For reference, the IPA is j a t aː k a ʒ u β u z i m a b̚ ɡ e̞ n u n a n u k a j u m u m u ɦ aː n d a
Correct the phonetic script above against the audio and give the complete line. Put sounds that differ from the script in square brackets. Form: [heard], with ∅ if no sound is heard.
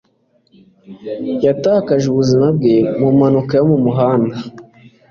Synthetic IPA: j a t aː k a ʒ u β u z i m a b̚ ɡ e̞ [m] u [m] a n u k a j [o] m u m u ɦ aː n d a